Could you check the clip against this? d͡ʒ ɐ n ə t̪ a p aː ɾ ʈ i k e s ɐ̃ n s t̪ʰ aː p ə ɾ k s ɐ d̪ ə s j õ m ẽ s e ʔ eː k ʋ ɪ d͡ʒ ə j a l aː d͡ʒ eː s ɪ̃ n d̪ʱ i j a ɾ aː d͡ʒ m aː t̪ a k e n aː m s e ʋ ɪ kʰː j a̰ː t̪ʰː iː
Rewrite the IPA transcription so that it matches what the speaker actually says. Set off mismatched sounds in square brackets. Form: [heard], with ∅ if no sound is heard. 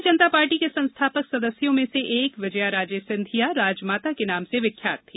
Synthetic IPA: d͡ʒ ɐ n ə t̪ a p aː ɾ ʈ i k e s ɐ̃ n s t̪ʰ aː p ə [∅] k s ɐ d̪ ə s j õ m ẽ s e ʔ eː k ʋ ɪ d͡ʒ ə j a [ɾ] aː d͡ʒ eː s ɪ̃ n d̪ʱ i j a ɾ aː d͡ʒ m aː t̪ a k e n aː m s e ʋ ɪ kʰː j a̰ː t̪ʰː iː